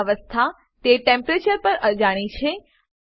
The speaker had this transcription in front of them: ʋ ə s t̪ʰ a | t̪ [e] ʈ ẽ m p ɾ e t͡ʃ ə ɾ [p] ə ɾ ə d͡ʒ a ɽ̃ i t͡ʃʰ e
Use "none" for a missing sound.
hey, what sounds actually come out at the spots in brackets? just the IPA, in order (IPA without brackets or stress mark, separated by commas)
e, p